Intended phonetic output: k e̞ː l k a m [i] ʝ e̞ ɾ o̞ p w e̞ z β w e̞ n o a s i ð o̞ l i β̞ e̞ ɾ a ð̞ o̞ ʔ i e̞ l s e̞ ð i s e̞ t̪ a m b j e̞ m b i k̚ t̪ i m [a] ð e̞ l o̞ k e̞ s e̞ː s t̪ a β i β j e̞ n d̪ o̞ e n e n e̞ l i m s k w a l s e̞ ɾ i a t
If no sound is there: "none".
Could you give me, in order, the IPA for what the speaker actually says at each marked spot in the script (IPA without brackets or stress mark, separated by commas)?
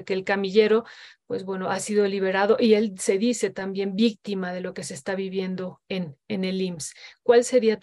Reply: i, a